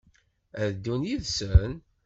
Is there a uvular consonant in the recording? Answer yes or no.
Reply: no